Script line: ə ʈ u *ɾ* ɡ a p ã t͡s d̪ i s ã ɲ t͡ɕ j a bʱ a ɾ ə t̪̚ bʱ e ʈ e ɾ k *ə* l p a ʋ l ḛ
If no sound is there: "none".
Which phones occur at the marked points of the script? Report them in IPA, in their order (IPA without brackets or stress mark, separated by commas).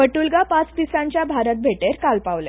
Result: l, a